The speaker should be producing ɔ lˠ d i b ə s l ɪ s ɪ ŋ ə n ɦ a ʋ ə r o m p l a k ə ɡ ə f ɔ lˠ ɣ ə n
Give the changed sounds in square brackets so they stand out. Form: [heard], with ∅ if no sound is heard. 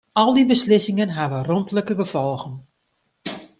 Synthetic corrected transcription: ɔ lˠ d i b ə s l ɪ s ɪ ŋ ə n ɦ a ʋ ə r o m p l [ə] k ə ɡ ə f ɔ lˠ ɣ ə n

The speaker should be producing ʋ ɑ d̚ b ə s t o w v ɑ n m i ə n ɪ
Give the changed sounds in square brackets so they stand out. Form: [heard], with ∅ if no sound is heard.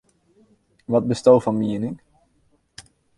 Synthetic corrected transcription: ʋ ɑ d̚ b ə s t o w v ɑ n m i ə n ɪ

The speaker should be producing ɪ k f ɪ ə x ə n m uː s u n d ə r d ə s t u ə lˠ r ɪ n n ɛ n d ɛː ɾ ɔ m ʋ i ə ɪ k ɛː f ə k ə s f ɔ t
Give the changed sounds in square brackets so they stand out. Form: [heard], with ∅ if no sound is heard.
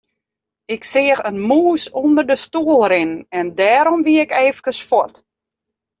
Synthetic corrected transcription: ɪ k [s] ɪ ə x ə n m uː s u n d ə r d ə s t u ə lˠ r ɪ n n ɛ n d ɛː ɾ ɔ m ʋ i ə ɪ k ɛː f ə k ə s f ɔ t

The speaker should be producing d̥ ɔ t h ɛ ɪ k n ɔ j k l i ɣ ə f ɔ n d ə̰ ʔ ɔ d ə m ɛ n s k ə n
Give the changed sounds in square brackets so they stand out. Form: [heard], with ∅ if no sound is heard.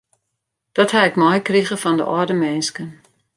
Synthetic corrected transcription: d̥ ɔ t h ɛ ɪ k [m] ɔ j k [r] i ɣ ə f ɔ n d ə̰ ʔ ɔ d ə m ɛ n s k ə n

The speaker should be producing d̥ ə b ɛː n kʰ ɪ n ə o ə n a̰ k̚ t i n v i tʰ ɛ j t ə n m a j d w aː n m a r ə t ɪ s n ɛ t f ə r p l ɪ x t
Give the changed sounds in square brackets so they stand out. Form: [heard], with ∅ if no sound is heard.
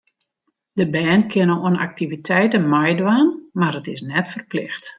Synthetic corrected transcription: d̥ ə b ɛː n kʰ ɪ n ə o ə n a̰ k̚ t i [∅] v i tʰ ɛ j t ə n m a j d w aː n m a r ə t ɪ s n ɛ t f ə r p l ɪ x t

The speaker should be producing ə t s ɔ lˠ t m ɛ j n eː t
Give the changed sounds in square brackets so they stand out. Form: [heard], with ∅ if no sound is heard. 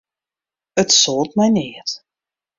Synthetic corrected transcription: ə t s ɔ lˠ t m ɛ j n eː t

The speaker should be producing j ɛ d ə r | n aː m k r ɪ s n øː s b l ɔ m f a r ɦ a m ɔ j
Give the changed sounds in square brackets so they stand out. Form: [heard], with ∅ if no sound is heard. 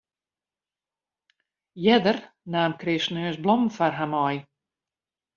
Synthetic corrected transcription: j ɛ d ə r | n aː m k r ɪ s n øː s b l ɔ m f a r ɦ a m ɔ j

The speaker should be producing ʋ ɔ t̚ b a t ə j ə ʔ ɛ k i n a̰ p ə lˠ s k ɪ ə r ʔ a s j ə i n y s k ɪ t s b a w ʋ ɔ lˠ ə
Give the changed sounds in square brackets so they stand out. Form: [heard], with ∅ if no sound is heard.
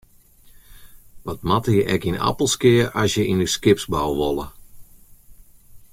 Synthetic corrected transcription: ʋ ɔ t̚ [m] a t ə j ə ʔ ɛ k i n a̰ p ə lˠ s k ɪ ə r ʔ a s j ə i n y s k ɪ [p] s b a w ʋ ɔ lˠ ə

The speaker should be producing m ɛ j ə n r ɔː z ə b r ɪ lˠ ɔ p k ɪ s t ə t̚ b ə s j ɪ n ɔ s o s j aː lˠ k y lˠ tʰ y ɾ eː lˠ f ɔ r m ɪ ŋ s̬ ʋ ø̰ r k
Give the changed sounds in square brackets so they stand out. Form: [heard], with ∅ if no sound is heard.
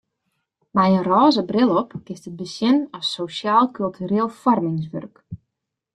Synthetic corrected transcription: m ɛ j ə n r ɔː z ə b r ɪ lˠ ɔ p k ɪ s t ə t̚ b ə s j ɪ n ɔ s o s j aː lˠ k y lˠ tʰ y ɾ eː lˠ f ɔ r m ɪ ŋ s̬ ʋ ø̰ r k

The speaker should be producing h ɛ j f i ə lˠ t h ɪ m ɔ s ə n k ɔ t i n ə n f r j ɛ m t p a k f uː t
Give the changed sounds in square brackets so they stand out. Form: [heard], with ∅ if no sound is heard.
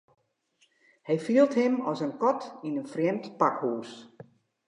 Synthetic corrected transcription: h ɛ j f i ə lˠ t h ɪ m ɔ s ə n k ɔ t i n ə n f r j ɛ m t p a k [h] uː [s]

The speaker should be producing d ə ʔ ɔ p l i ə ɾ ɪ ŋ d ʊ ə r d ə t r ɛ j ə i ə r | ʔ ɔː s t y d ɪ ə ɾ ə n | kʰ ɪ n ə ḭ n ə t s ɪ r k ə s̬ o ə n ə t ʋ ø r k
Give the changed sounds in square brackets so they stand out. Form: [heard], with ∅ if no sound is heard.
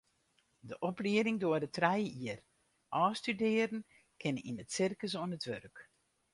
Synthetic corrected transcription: d ə ʔ ɔ p l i ə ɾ ɪ ŋ d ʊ ə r d ə t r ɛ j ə i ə r | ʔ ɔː s t y d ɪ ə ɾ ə n | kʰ ɪ n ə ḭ n ə t s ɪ r k ə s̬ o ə n ə t ʋ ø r k

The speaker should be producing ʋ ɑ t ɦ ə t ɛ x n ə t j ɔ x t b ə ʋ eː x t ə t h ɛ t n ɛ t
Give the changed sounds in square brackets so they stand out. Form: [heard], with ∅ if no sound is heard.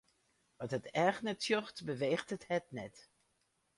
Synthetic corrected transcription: ʋ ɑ t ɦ ə t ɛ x n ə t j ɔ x t b ə ʋ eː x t ə t h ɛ t n ɛ t

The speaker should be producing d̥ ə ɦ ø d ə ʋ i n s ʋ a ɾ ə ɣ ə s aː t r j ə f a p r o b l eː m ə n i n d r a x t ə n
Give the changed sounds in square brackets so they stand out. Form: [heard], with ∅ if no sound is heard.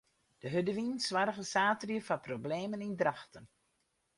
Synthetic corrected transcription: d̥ ə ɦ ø d ə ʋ i n s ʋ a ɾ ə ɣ ə s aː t r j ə f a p r o b l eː m ə n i n d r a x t ə n

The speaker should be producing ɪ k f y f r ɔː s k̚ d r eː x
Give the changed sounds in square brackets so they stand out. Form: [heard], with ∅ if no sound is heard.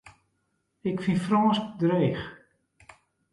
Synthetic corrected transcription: ɪ k f [i] f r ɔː s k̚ d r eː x

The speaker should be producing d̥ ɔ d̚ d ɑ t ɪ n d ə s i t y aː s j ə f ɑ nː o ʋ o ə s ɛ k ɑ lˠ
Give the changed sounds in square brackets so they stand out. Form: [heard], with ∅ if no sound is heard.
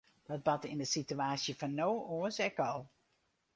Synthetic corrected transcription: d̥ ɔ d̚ [b] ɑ t ɪ n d ə s i t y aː s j ə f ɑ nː o [w] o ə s ɛ k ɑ lˠ

